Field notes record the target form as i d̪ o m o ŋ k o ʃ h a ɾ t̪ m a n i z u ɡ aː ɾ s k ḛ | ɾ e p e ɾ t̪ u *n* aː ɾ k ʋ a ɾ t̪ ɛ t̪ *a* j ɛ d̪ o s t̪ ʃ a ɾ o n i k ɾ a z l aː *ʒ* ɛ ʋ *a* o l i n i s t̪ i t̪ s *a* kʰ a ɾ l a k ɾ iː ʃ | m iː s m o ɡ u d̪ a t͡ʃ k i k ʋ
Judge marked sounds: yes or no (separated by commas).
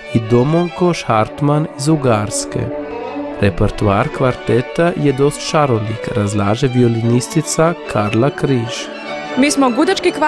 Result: no, yes, yes, no, yes